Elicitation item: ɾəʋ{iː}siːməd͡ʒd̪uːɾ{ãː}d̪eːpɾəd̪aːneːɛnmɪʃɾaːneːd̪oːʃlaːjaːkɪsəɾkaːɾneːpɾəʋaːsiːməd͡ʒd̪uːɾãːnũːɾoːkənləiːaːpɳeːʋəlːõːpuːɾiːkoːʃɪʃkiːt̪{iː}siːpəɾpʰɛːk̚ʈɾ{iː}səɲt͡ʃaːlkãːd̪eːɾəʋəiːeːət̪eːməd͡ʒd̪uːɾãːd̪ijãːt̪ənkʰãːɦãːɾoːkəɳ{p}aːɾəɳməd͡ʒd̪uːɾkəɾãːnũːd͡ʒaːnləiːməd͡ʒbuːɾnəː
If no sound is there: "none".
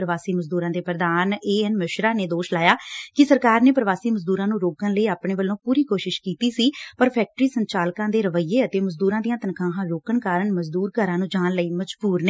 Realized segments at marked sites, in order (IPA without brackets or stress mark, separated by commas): aː, ãː, iː, iː, k